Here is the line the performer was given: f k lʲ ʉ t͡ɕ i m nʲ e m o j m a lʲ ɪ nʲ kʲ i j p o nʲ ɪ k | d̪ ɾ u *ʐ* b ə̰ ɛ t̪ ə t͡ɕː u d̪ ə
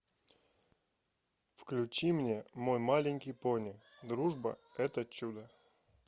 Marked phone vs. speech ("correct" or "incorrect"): correct